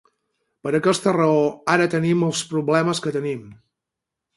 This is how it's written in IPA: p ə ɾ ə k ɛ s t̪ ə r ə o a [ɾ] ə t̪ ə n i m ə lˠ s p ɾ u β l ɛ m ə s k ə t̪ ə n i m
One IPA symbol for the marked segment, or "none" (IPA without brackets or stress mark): ɾ